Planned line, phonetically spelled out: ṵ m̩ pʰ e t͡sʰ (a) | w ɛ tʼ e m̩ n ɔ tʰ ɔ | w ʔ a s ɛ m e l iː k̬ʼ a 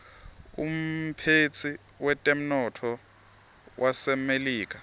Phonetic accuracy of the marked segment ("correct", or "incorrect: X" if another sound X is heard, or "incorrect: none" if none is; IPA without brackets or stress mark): incorrect: i